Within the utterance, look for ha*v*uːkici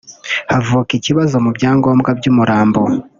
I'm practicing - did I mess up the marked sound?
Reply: no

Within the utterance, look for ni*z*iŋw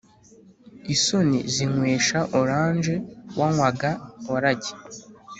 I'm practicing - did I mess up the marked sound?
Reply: no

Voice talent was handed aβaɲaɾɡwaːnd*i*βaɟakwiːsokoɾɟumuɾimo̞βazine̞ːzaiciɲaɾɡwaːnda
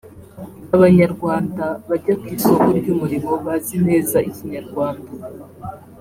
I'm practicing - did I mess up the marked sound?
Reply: yes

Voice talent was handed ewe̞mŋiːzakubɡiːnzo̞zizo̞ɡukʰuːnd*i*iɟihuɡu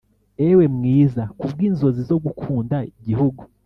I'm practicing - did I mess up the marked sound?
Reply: yes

